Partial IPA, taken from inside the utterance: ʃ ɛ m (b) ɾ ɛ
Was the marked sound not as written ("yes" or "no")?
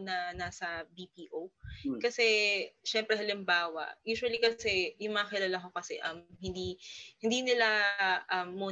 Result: yes